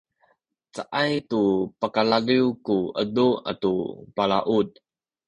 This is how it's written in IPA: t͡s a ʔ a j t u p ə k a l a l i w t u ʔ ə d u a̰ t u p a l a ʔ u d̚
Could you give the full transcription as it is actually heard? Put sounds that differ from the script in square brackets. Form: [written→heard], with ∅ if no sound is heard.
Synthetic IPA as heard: t͡s a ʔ a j t u p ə k a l a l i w [t→k] u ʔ ə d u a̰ t u p a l a ʔ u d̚